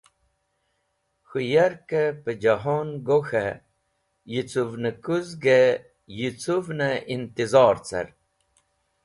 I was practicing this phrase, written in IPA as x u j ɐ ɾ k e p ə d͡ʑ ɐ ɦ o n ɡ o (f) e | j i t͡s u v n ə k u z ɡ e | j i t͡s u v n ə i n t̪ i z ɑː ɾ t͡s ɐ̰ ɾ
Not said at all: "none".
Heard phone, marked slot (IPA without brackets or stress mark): x